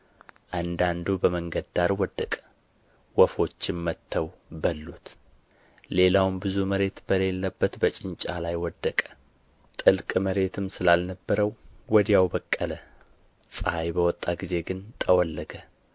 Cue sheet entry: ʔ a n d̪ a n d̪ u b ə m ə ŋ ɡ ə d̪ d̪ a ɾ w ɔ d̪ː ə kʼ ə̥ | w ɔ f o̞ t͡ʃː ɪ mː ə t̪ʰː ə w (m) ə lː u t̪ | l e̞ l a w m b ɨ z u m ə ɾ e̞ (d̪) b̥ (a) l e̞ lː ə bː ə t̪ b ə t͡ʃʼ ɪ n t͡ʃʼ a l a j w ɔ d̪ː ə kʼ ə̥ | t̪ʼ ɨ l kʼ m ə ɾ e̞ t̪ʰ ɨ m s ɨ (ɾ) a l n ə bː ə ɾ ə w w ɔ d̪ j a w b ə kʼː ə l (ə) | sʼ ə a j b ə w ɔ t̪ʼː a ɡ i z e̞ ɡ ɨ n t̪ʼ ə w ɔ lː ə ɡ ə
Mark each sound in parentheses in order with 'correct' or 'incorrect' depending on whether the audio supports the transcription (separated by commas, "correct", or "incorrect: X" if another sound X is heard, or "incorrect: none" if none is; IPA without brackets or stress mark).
incorrect: b, incorrect: t̪, incorrect: ə, incorrect: l, correct